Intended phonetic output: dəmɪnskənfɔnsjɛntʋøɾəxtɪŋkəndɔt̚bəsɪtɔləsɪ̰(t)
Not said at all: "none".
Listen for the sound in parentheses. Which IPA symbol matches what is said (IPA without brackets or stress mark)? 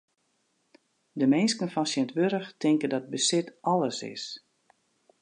s